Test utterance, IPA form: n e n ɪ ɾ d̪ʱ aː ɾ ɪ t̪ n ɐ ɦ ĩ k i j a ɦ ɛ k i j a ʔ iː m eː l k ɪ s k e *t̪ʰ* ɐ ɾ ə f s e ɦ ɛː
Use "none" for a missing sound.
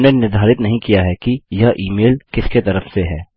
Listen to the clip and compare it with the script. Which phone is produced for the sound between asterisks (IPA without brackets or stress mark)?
t̪